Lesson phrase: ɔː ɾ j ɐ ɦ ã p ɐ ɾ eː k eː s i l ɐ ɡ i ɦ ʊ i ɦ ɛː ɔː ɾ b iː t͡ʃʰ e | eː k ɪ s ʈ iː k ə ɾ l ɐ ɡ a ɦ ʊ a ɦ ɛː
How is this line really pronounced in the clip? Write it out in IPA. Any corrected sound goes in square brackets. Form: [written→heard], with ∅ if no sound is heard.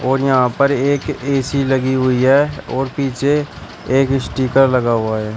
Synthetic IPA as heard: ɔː ɾ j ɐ ɦ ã p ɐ ɾ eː k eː s i l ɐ ɡ i ɦ ʊ i ɦ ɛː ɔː ɾ [b→p] iː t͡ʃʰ e | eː k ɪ s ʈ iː k ə ɾ l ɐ ɡ a ɦ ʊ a ɦ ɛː